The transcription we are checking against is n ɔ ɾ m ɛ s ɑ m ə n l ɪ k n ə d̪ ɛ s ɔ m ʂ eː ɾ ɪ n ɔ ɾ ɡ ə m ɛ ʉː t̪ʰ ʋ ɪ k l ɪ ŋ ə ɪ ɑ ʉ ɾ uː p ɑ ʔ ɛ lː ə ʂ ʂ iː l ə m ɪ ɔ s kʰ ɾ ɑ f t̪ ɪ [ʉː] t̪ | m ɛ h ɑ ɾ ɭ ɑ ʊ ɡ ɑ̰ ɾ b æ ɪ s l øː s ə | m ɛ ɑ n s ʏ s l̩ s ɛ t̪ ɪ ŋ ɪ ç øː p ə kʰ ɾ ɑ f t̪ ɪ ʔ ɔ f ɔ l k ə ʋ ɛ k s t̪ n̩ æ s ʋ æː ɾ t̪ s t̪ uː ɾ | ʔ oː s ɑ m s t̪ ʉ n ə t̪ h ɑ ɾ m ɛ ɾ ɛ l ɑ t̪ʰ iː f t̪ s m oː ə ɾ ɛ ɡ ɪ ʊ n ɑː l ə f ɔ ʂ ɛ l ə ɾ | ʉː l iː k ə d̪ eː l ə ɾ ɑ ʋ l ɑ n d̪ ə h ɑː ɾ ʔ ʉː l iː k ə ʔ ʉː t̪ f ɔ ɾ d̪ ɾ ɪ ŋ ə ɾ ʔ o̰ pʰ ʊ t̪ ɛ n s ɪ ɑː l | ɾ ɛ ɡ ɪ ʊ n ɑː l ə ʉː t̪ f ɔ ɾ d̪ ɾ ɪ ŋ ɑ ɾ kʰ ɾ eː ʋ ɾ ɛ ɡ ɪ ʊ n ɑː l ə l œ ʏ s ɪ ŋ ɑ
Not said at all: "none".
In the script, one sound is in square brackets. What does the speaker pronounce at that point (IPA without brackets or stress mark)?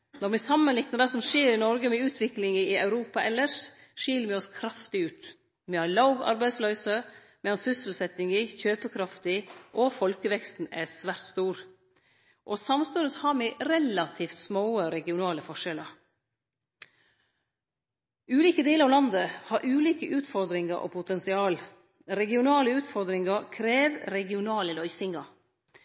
ʉː